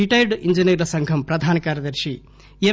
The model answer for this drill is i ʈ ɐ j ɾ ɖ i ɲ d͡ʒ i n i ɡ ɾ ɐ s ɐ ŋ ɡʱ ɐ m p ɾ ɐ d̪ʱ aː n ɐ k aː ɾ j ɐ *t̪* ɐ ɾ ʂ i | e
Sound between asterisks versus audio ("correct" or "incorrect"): incorrect